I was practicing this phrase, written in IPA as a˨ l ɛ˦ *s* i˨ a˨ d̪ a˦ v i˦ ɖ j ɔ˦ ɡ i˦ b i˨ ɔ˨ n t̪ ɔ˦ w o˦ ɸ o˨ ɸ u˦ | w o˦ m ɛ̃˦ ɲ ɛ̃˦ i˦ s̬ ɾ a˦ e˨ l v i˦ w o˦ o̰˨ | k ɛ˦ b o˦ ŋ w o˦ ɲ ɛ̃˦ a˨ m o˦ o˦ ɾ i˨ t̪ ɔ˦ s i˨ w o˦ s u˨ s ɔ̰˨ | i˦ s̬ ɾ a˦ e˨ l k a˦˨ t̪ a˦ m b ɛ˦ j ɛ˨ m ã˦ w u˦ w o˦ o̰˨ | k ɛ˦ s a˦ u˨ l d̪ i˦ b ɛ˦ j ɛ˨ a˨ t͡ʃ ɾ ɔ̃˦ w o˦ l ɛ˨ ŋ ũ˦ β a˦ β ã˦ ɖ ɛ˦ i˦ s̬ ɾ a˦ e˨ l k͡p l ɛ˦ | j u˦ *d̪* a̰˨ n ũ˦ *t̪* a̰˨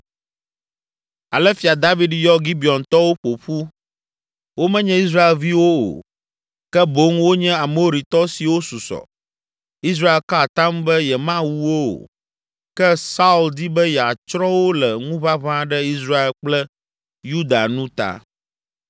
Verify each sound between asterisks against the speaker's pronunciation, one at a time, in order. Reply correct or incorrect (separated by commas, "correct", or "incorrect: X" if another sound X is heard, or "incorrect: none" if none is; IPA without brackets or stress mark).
incorrect: f, correct, correct